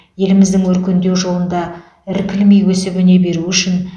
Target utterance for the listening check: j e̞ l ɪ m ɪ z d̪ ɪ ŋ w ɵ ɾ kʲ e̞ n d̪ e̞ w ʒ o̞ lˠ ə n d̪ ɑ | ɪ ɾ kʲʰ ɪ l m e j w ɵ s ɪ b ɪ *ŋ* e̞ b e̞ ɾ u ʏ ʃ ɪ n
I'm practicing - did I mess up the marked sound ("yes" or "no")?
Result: yes